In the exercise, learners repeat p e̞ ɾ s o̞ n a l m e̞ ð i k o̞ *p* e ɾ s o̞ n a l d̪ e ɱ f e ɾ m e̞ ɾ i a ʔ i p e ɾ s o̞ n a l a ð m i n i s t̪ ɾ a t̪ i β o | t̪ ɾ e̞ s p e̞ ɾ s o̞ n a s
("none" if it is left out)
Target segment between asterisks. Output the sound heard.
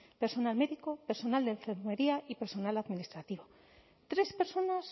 p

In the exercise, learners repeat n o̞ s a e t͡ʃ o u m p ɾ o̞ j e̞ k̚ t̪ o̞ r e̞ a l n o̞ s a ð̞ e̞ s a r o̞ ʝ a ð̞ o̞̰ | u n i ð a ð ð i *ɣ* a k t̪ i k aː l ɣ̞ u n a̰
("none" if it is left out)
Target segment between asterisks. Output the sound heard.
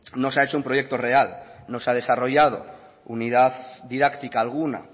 ð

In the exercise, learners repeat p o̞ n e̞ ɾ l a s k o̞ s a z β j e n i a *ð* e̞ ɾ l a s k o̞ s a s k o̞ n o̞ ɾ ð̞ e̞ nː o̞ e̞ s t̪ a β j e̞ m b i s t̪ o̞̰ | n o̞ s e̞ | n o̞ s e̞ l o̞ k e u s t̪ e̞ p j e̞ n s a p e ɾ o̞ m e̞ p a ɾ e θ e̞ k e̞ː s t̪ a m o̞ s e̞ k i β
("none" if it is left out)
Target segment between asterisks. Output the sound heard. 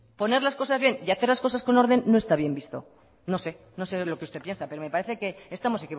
θ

